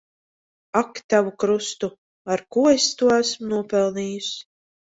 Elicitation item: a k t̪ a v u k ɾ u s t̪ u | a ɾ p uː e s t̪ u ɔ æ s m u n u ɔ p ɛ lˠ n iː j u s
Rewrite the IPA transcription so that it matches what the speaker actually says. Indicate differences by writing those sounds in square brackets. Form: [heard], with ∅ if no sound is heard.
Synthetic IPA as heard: a k t̪ a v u k ɾ u s t̪ u | a ɾ [k] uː e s t̪ u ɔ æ s m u n u ɔ p ɛ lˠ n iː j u s